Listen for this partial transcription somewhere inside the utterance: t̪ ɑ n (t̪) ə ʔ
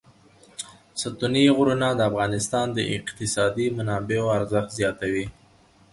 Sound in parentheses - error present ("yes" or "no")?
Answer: yes